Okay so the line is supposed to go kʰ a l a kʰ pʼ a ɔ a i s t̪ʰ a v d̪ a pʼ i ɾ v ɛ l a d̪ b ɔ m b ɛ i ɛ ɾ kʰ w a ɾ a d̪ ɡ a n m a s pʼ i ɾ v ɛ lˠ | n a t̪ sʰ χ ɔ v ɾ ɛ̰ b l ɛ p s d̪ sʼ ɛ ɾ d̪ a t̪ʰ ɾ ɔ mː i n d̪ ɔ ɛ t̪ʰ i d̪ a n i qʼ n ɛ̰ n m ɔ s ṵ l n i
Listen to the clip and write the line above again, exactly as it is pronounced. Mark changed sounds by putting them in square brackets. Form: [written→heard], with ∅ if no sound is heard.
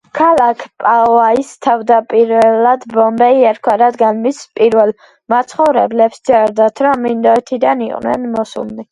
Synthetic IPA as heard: kʰ a l a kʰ pʼ a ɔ a i s t̪ʰ a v d̪ a pʼ i ɾ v ɛ l a d̪ b ɔ m b ɛ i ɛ ɾ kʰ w a ɾ a d̪ ɡ a n m [a→i] s pʼ i ɾ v ɛ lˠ | [n→m] a t̪ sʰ χ ɔ v ɾ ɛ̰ b l ɛ p s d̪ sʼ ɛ ɾ d̪ a t̪ʰ ɾ ɔ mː i n d̪ ɔ ɛ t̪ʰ i d̪ a n i qʼ n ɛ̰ n m ɔ s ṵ l n i